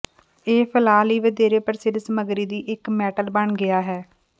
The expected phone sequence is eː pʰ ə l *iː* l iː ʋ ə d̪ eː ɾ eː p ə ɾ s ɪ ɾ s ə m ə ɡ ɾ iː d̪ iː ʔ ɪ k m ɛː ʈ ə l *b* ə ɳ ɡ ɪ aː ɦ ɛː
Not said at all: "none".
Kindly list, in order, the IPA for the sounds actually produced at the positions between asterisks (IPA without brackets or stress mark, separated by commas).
aː, b